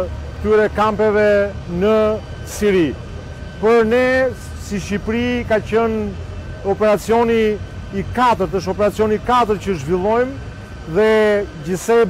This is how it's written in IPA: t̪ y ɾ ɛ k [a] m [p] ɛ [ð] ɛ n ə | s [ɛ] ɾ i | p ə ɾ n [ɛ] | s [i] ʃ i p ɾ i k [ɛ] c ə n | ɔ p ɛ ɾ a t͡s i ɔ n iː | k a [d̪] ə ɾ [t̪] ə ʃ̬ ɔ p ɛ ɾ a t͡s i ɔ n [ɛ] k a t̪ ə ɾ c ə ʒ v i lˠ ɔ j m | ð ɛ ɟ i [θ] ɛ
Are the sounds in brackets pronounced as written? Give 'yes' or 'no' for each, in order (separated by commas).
yes, yes, no, no, yes, yes, no, no, yes, no, no